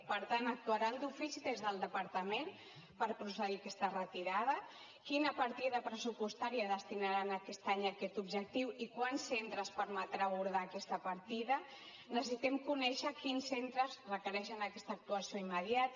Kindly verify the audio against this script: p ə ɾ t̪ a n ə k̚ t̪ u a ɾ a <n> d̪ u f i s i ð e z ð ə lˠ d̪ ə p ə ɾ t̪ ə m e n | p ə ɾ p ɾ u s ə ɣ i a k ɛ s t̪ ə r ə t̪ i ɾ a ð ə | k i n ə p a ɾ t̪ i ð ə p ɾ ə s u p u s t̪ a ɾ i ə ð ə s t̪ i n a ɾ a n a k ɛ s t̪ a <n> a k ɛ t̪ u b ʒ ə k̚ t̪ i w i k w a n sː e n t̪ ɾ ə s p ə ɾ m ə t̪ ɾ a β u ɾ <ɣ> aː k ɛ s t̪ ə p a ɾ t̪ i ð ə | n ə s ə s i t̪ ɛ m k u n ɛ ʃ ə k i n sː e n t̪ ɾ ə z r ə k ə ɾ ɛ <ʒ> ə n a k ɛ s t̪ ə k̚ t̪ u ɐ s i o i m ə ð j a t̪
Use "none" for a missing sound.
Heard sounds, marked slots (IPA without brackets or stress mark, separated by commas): n, ɲ, ð, ʃ